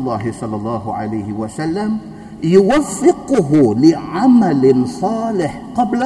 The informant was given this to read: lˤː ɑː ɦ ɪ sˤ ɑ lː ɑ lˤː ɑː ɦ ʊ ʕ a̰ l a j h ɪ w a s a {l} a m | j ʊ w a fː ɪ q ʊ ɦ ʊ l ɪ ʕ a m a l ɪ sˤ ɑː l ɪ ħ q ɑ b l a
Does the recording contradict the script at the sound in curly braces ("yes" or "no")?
yes